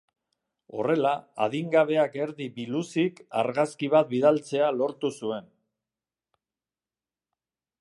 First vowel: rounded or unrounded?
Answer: rounded